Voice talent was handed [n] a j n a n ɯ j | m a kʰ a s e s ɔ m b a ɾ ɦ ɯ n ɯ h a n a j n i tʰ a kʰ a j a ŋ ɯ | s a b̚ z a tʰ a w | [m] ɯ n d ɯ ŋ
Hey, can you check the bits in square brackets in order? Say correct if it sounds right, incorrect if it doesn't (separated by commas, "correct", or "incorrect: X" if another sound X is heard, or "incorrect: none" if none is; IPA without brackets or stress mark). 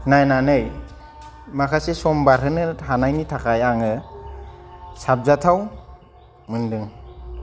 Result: correct, correct